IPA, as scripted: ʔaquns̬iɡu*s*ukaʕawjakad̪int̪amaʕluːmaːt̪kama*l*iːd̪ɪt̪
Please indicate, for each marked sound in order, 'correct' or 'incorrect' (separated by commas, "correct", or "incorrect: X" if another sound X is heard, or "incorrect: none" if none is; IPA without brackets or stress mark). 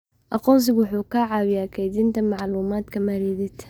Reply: incorrect: ħ, incorrect: ɾ